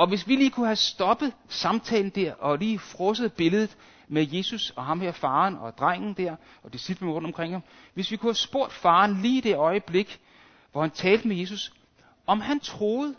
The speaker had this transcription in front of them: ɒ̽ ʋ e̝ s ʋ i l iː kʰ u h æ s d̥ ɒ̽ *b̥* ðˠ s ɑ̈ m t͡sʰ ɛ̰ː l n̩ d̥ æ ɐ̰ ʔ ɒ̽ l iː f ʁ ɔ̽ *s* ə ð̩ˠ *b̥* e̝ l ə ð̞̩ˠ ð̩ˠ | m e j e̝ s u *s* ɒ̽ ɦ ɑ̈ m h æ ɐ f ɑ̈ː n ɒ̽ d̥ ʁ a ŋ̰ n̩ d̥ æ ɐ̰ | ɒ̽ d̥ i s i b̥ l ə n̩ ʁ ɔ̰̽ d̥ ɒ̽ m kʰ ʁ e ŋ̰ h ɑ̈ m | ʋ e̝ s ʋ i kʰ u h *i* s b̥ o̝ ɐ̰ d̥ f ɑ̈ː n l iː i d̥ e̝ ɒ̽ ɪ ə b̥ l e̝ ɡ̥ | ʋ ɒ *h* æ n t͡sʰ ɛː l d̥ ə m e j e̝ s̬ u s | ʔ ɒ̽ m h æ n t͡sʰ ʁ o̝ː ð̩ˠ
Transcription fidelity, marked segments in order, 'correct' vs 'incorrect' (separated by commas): correct, correct, correct, correct, incorrect, correct